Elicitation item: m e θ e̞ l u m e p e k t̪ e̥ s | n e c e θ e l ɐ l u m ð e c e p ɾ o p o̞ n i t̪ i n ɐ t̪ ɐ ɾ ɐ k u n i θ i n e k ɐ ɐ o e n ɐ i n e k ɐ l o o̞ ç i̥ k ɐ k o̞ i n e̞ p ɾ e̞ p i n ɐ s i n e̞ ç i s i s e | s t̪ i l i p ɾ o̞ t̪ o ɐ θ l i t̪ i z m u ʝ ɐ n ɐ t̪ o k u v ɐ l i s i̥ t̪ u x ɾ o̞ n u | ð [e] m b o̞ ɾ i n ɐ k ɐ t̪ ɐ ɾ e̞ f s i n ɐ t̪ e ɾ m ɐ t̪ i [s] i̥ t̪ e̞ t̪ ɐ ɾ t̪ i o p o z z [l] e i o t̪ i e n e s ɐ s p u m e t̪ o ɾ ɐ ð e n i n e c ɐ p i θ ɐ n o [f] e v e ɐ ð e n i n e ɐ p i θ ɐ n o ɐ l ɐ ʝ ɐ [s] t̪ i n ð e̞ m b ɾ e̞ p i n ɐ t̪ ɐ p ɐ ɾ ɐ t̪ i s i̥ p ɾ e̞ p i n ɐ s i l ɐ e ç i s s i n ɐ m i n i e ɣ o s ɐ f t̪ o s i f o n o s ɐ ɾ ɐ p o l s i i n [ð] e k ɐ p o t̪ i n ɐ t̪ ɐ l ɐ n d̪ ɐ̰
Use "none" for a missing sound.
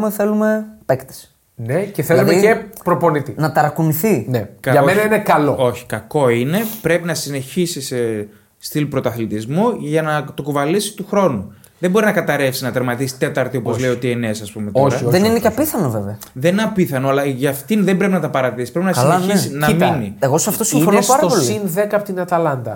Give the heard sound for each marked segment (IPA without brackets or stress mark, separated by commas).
e, s, l, v, f, ð